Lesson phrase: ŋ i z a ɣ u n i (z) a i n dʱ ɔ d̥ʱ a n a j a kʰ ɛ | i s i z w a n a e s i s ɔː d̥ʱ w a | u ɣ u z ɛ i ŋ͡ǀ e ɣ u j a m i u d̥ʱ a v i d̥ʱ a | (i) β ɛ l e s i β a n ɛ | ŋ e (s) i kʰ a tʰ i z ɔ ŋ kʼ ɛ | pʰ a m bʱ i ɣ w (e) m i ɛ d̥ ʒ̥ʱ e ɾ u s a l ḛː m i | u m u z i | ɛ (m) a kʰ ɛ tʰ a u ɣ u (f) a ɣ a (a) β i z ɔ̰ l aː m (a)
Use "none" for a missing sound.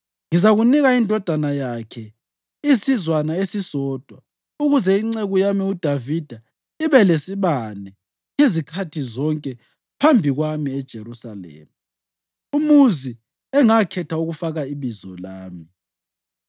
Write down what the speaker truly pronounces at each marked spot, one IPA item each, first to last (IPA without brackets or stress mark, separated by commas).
ɣ, i, z, a, ŋ, f, i, i